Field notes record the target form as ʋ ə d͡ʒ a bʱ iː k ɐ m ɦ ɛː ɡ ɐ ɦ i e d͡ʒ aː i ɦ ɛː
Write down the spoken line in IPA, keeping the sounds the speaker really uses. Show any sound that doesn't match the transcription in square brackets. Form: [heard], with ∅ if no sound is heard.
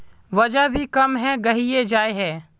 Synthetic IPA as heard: ʋ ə d͡ʒ a bʱ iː k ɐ m ɦ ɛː ɡ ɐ ɦ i e d͡ʒ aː [e] ɦ ɛː